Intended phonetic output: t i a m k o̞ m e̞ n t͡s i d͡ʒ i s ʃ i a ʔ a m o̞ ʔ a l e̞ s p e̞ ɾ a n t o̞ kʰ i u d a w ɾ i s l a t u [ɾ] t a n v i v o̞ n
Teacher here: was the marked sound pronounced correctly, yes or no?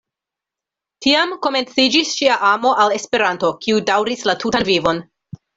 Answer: no